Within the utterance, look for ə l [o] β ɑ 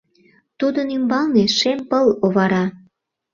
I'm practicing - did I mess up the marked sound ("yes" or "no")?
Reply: no